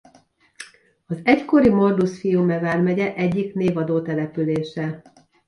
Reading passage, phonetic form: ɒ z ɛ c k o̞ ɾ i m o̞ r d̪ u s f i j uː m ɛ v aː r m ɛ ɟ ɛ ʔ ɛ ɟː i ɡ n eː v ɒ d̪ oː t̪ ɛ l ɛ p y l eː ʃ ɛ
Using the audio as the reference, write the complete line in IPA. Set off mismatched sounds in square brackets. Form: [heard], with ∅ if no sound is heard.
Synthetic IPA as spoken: ɒ z ɛ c k o̞ ɾ i m o̞ r d̪ u s f i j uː m ɛ v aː r m ɛ ɟ ɛ ʔ ɛ ɟː i [k] n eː v ɒ d̪ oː t̪ ɛ l ɛ p y l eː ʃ ɛ